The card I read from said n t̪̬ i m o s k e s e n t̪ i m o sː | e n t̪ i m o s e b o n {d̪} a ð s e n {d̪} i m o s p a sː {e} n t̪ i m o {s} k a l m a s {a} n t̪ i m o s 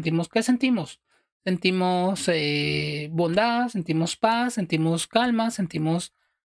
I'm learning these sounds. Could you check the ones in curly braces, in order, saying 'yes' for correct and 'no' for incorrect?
yes, no, yes, yes, no

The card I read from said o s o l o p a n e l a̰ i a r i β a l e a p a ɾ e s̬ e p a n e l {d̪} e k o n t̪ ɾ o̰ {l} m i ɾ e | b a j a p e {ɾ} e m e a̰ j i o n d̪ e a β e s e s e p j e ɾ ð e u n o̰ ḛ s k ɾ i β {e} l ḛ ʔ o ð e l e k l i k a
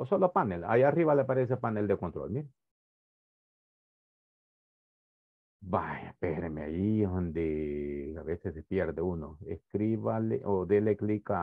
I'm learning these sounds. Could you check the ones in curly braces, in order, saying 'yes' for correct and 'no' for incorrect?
yes, yes, yes, no

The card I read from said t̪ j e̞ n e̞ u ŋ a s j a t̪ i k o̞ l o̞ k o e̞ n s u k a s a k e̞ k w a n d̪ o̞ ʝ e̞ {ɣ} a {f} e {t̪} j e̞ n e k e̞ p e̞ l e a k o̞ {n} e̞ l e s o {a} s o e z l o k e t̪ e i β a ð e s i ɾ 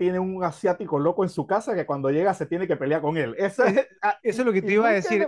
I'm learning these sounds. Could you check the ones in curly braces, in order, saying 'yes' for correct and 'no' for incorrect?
yes, no, yes, no, no

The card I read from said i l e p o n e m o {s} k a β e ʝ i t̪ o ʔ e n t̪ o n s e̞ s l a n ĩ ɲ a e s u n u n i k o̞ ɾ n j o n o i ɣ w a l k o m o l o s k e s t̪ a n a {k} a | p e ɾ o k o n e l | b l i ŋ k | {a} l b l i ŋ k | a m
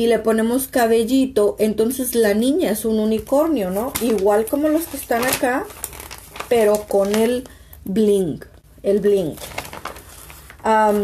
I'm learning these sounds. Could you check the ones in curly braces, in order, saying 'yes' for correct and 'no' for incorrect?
yes, yes, no

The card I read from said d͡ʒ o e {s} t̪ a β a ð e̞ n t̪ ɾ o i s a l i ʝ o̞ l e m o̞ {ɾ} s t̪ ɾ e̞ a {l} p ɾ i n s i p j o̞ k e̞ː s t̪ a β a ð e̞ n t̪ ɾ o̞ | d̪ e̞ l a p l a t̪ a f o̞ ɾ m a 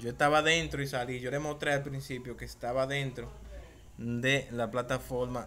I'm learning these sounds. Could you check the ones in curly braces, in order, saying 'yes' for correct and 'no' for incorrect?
yes, no, yes

